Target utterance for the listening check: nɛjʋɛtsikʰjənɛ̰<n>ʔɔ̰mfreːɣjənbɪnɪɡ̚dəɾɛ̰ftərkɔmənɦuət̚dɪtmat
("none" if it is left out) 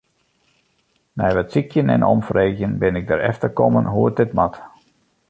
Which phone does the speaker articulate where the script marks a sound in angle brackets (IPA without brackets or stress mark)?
n